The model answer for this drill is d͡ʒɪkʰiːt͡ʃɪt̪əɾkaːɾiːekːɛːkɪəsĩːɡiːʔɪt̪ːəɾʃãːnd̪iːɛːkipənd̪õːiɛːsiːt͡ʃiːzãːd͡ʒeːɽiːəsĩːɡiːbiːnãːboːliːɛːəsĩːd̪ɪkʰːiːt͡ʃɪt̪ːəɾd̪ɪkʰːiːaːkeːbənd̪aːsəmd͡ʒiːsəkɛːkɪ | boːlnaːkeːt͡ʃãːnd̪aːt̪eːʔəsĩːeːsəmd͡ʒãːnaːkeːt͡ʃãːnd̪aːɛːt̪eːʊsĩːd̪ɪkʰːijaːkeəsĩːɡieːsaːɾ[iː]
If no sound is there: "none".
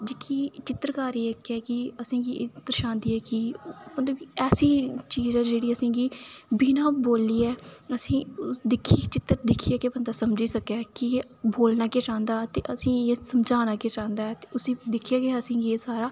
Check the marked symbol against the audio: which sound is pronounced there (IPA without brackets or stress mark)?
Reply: aː